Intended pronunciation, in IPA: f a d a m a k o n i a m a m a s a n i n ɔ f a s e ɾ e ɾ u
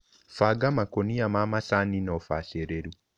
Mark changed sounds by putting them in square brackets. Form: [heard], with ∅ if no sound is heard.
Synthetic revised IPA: f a [ɡ] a m a k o n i a m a m a s a n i n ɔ f a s e ɾ e ɾ u